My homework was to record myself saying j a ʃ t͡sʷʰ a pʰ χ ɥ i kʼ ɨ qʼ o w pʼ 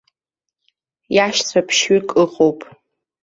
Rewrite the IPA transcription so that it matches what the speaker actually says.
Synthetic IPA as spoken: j a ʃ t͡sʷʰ a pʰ ʃ ɥ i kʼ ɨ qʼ o w pʼ